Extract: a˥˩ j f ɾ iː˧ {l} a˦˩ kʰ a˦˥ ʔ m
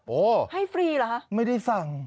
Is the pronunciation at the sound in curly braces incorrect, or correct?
correct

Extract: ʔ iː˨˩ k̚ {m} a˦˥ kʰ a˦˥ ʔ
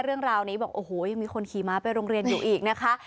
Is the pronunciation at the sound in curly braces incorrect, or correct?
incorrect: n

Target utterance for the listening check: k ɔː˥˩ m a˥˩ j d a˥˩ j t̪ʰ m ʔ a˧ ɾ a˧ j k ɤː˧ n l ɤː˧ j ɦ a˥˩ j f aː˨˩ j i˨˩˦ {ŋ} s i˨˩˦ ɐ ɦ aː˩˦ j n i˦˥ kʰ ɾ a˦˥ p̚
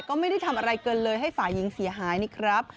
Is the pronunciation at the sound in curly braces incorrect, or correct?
correct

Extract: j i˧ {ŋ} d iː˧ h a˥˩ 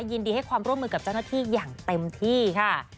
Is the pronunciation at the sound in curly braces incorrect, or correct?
incorrect: n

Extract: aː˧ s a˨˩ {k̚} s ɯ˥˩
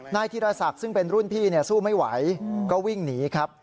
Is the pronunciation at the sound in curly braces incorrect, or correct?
correct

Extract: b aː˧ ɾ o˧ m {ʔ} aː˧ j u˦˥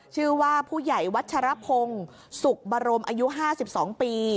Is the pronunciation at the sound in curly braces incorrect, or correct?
correct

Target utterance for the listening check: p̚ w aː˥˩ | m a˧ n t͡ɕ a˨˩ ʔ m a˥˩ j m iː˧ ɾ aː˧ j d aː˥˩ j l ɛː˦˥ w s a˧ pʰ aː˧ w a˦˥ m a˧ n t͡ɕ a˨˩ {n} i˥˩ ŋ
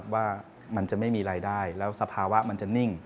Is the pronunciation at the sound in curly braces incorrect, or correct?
correct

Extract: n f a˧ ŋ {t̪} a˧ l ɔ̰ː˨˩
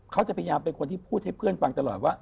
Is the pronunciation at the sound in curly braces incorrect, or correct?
correct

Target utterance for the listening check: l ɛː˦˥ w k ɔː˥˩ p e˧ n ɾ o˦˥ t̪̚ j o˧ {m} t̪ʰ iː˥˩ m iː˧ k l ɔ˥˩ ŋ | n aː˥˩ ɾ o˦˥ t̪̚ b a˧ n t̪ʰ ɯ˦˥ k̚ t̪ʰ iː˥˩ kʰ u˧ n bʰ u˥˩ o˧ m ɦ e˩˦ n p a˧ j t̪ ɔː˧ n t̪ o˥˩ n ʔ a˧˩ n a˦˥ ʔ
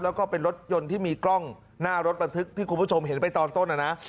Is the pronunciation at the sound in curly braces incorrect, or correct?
incorrect: n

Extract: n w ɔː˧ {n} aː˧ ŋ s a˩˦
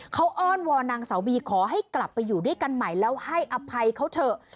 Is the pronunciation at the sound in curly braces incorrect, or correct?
correct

